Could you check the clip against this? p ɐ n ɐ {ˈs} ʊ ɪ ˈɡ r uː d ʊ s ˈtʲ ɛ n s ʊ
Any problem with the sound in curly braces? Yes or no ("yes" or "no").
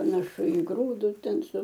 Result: yes